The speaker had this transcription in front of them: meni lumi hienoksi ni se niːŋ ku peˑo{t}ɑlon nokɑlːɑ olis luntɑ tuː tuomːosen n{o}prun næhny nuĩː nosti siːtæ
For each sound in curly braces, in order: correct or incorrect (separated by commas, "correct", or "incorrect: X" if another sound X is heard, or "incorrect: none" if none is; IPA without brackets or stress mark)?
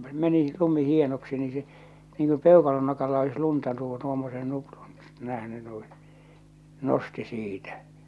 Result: incorrect: k, incorrect: u